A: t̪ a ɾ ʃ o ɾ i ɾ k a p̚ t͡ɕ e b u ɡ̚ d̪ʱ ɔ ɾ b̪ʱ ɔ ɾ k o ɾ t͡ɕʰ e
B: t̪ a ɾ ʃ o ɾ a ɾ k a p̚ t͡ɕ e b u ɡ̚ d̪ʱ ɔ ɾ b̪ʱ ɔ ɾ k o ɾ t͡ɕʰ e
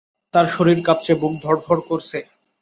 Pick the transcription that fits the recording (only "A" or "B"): A